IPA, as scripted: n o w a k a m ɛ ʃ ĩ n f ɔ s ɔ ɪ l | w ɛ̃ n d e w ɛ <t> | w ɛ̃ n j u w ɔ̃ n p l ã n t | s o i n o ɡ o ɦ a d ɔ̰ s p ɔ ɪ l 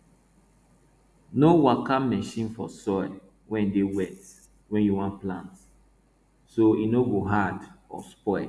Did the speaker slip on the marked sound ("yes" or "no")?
no